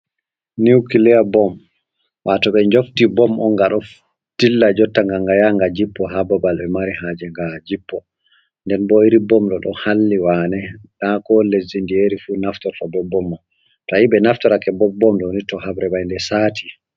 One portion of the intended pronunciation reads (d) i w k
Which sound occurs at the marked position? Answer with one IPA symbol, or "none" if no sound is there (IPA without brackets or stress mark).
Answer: n